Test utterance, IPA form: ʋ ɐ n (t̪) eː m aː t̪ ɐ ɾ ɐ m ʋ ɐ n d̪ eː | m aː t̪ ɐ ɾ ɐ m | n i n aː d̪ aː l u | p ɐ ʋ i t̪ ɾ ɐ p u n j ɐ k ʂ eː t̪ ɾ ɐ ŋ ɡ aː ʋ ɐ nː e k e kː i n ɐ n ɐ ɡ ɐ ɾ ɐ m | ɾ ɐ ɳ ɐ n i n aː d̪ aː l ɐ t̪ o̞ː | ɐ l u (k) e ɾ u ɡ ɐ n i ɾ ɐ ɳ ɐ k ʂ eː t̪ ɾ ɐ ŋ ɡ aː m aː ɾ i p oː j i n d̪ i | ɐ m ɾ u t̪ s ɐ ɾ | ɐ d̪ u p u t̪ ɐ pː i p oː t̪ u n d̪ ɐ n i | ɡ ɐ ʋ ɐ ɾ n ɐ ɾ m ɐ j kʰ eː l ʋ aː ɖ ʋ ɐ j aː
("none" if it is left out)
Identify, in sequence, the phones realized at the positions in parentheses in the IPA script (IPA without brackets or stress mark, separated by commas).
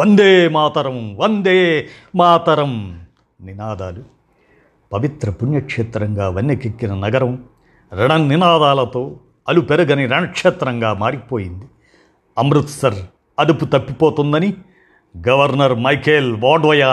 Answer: d̪, p